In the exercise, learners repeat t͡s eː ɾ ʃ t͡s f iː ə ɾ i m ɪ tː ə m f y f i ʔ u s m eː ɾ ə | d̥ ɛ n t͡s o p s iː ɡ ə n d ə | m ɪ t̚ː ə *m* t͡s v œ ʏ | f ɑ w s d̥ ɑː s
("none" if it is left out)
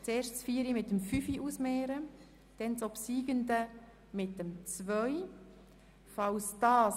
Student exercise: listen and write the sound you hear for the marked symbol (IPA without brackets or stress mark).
m